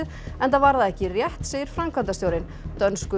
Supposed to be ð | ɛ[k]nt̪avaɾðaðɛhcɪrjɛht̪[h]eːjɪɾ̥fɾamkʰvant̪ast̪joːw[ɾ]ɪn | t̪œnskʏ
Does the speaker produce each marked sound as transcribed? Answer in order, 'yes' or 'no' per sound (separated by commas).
no, no, yes